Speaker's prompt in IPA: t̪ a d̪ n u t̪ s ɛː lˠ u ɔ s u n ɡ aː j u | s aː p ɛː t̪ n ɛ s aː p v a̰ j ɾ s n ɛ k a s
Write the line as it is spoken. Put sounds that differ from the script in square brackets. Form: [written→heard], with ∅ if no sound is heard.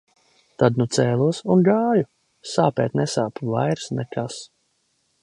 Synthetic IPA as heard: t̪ a d̪ n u t̪ s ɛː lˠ u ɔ s u n ɡ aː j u | s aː p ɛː t̪ n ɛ s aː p v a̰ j ɾ s n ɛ k a s